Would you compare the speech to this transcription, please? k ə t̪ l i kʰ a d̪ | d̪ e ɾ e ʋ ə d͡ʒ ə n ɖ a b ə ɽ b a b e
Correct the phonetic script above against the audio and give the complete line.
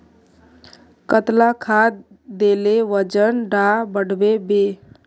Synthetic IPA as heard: k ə t̪ l a kʰ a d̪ | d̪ e l e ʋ ə d͡ʒ ə n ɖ a b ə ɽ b e b e